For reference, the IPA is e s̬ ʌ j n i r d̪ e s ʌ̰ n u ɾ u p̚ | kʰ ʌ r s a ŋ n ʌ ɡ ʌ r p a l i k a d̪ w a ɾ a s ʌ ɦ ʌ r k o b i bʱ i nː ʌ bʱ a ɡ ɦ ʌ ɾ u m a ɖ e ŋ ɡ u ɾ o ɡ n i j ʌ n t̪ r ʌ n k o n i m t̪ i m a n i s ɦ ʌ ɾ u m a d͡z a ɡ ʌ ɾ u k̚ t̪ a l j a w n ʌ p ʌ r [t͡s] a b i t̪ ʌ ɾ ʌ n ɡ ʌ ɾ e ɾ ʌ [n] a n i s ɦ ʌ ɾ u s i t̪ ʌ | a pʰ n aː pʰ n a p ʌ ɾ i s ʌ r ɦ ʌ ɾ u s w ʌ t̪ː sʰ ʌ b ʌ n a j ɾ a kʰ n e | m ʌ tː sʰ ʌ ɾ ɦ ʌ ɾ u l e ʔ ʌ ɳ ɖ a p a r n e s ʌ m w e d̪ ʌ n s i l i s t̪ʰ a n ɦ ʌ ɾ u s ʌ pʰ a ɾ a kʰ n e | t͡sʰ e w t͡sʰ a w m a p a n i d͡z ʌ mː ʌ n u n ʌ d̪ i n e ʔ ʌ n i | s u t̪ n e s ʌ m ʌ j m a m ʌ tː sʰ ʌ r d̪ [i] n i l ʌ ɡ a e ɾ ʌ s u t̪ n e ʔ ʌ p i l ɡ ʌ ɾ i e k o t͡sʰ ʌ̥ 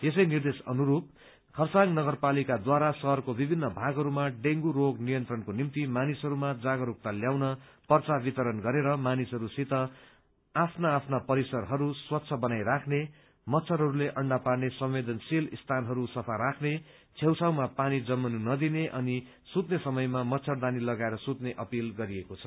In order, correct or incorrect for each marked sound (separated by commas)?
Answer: correct, incorrect, incorrect